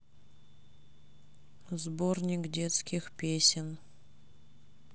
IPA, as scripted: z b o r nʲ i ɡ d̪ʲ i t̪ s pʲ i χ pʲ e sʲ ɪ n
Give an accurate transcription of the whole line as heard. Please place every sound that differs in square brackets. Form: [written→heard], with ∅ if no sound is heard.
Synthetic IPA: z b o r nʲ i [ɡ→k] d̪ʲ [i→e] t̪ s [pʲ→kʲ] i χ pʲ e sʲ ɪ n